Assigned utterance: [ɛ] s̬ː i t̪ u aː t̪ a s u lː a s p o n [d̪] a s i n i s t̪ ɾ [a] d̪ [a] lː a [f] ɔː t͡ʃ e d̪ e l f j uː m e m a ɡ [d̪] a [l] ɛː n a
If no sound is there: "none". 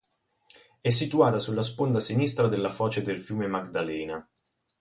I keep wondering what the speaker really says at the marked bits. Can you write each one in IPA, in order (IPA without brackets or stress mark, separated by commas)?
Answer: ɛ, d̪, a, e, f, d̪, l